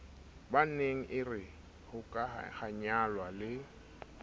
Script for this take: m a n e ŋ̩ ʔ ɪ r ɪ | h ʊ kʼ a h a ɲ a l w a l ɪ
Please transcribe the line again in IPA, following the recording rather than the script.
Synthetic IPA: b a n e ŋ̩ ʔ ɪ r ɪ | h ʊ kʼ a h a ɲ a l w a l ɪ